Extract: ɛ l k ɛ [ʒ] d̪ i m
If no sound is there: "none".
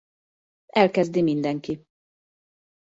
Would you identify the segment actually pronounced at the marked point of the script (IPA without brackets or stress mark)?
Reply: z